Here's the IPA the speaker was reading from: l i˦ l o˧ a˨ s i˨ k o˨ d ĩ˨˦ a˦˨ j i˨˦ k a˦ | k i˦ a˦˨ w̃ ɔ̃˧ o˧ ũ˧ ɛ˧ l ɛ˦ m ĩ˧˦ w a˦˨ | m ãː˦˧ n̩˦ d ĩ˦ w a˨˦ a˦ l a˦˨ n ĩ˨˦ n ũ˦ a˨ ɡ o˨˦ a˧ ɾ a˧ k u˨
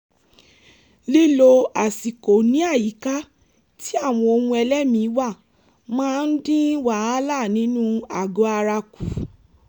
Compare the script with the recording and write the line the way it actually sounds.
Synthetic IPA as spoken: l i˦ l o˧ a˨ s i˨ k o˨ n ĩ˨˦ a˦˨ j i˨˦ k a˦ | t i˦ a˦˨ w̃ ɔ̃˧ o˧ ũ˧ ɛ˧ l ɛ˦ m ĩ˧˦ w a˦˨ | m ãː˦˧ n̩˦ d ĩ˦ w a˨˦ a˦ l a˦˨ n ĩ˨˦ n ũ˦ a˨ ɡ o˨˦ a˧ ɾ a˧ k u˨

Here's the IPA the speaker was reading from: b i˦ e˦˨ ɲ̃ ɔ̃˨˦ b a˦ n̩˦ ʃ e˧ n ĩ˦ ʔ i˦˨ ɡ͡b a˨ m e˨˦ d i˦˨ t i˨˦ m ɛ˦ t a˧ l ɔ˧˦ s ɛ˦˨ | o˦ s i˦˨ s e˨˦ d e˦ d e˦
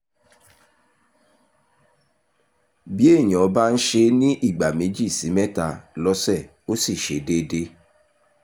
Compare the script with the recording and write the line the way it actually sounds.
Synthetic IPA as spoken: b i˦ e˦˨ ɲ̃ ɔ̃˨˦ b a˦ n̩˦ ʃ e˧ n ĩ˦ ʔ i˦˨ ɡ͡b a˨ m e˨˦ d͡ʒ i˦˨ s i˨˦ m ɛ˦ t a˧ l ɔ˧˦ s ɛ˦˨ | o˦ s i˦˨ ʃ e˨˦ d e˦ d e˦

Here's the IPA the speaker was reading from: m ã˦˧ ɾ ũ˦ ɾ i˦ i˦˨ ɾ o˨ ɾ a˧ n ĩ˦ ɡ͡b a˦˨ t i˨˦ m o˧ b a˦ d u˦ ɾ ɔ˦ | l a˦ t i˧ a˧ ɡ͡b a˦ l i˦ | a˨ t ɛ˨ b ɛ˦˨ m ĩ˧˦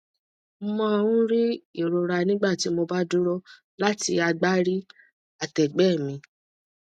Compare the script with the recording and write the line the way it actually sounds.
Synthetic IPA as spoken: m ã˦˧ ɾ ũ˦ ɾ i˦ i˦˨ ɾ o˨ ɾ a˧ n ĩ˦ ɡ͡b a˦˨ t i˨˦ m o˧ b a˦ d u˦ ɾ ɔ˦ | l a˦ t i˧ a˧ ɡ͡b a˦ ɾ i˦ | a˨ t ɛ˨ ɡ͡b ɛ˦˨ m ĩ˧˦

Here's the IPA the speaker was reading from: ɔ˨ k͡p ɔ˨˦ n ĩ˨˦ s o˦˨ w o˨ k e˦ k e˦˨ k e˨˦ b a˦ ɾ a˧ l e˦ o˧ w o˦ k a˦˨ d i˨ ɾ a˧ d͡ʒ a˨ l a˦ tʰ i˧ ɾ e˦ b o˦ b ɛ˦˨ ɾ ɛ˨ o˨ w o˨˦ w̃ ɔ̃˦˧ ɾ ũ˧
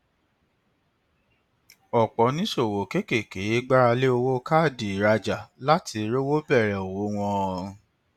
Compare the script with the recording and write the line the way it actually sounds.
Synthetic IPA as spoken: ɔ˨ k͡p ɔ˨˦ n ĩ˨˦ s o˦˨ w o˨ k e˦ k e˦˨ k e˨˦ ɡ͡b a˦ ɾ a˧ l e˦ o˧ w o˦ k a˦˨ d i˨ ɾ a˧ d͡ʒ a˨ l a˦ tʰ i˧ ɾ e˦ w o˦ b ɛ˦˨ ɾ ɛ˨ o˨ w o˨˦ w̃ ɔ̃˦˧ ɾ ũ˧

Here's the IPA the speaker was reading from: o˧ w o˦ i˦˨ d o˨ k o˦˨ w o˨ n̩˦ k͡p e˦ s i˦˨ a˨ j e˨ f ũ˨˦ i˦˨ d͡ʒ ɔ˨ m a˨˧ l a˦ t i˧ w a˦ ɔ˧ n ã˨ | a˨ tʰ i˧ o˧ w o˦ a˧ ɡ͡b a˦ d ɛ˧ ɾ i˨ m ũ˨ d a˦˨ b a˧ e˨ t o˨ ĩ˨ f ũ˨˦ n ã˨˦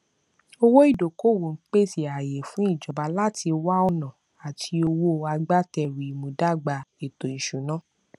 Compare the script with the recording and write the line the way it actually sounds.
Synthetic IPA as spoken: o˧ w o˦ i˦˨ d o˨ k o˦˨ w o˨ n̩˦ k͡p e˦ s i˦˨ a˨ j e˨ f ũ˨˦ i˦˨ d͡ʒ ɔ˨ b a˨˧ l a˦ t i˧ w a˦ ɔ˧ n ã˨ | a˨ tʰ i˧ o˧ w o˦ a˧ ɡ͡b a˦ t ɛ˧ ɾ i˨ m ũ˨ d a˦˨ ɡ͡b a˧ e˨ t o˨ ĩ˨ ʃ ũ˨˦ n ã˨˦

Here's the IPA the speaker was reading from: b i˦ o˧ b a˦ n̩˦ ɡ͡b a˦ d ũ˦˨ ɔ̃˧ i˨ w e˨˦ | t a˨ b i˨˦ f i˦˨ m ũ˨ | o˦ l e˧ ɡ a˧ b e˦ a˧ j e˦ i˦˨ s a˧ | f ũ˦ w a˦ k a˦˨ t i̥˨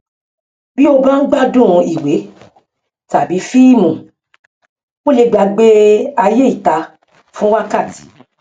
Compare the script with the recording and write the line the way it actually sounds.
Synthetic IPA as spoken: b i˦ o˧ b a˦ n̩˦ ɡ͡b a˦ d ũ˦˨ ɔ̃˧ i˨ w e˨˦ | t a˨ b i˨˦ f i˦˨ m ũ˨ | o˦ l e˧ ɡ͡b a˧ ɡ͡b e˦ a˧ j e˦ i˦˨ t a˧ | f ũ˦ w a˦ k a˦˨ t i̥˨

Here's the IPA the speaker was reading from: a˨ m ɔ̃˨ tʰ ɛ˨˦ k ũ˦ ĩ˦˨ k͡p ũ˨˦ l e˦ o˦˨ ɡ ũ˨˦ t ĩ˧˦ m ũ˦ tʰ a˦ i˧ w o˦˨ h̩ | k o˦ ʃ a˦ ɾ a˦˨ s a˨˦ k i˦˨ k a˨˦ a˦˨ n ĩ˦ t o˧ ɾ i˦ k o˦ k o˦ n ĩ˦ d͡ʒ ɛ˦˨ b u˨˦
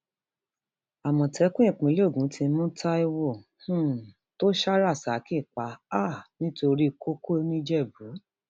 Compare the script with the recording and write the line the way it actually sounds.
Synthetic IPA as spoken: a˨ m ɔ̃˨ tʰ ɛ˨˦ k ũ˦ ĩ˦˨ k͡p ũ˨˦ l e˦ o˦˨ ɡ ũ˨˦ t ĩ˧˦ m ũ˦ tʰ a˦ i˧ w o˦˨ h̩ | t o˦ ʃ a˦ ɾ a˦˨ s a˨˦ k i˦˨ k͡p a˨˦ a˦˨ n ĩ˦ t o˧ ɾ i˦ k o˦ k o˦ n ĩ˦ d͡ʒ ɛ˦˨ b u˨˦

